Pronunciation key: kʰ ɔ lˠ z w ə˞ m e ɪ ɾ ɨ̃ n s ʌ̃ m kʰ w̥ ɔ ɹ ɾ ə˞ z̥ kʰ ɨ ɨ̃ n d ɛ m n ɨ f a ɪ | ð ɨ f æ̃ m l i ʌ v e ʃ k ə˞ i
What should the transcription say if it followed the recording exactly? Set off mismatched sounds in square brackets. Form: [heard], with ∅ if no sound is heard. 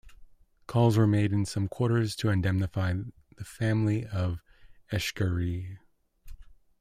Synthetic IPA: kʰ ɔ lˠ z w ə˞ m e ɪ ɾ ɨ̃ n s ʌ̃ m kʰ w̥ ɔ ɹ ɾ ə˞ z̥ [tʰ] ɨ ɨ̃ n d ɛ m n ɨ f a ɪ | ð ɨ f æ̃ m l i ʌ v [ɛ] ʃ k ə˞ i